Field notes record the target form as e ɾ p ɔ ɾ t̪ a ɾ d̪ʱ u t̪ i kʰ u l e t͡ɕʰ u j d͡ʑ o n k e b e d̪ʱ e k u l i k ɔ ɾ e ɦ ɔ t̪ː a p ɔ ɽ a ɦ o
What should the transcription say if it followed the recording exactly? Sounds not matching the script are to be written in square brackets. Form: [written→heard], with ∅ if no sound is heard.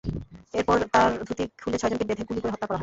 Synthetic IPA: e ɾ p ɔ ɾ t̪ a ɾ d̪ʱ u t̪ i kʰ u l e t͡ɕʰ [u→ɔ] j d͡ʑ o n k e b e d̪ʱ e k u l i k [ɔ→o] ɾ e ɦ ɔ t̪ː a [p→k] ɔ [ɽ→ɾ] a ɦ [o→ɔ]